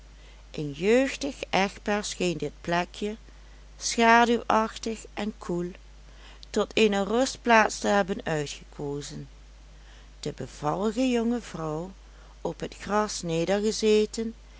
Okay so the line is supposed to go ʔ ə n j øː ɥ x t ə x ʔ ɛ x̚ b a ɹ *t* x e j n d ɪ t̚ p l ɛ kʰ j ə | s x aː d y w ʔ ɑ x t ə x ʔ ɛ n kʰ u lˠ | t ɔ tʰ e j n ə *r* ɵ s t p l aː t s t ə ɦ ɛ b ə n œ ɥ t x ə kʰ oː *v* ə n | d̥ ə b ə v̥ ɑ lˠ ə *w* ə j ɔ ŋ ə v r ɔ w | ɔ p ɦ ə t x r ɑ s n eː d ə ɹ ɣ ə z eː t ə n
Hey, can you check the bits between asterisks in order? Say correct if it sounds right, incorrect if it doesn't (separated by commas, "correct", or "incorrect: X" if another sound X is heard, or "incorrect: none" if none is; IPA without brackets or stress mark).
incorrect: s, correct, incorrect: z, incorrect: ɣ